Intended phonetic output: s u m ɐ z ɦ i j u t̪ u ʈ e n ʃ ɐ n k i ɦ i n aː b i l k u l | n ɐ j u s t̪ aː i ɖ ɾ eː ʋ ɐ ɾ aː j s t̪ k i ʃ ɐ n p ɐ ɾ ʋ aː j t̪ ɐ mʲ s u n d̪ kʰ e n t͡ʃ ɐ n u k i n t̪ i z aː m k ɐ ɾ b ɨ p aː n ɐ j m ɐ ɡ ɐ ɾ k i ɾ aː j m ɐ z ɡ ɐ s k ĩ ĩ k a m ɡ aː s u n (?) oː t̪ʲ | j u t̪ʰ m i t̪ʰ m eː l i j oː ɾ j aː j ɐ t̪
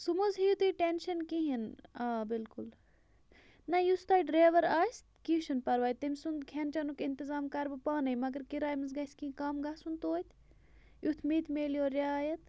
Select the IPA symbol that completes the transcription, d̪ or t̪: t̪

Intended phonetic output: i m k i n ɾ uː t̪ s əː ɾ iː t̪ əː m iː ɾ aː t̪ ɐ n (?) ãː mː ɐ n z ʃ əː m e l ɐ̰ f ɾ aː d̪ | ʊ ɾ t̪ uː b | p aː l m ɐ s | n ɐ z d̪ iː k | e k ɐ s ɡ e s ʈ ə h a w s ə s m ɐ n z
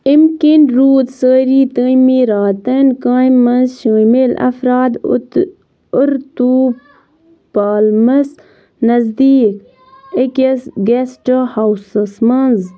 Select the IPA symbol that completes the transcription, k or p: k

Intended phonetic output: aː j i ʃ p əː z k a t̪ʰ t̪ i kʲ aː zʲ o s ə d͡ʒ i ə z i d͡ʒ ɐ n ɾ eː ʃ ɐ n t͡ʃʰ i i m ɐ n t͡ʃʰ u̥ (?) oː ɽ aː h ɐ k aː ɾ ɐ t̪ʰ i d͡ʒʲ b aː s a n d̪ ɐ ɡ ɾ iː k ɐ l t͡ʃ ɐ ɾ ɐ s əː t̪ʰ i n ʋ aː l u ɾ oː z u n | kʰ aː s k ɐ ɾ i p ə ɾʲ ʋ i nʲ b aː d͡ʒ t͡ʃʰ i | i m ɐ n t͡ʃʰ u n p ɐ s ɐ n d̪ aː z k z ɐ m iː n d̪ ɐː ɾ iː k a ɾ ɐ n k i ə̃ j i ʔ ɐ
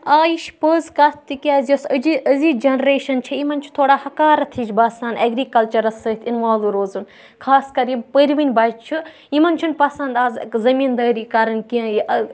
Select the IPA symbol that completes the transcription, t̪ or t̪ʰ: t̪ʰ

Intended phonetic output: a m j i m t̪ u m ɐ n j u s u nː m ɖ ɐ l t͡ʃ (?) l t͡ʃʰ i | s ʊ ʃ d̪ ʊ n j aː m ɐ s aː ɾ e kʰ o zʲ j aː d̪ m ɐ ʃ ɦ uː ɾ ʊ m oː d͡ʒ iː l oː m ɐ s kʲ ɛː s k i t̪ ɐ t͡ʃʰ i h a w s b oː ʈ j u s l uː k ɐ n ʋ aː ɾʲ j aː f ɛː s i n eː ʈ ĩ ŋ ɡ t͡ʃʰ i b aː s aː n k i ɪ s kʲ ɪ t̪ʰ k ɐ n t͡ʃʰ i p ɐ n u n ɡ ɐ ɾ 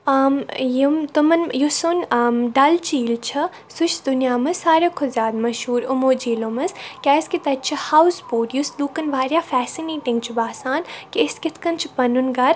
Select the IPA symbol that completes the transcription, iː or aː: iː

